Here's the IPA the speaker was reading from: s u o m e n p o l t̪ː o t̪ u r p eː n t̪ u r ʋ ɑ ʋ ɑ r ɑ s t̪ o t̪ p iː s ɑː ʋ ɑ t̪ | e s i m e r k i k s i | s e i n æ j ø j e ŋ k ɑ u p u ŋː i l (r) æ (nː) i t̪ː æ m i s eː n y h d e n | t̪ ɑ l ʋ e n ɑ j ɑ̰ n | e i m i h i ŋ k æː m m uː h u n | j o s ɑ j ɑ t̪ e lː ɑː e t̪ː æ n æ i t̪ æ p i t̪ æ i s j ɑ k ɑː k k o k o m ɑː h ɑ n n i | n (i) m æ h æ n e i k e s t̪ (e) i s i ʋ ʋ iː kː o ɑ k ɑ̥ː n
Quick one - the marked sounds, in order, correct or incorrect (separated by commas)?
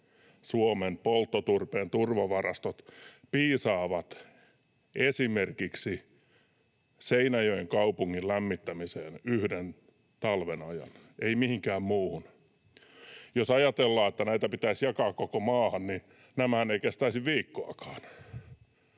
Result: incorrect, incorrect, incorrect, incorrect